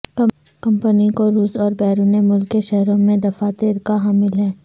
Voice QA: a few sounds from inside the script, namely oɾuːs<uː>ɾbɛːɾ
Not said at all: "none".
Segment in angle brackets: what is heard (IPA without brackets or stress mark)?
ɔː